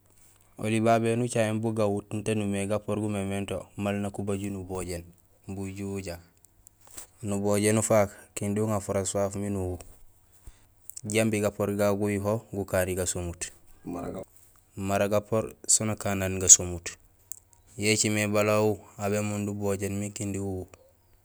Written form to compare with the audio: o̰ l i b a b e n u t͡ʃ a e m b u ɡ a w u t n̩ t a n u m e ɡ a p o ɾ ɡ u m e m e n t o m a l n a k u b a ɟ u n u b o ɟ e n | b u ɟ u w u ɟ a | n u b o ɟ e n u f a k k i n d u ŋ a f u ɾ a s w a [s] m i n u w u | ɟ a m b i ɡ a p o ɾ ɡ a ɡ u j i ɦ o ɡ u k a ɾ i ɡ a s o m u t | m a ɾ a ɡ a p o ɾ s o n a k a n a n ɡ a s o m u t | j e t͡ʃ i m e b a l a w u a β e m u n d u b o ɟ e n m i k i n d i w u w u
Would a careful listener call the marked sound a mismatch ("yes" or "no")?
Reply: yes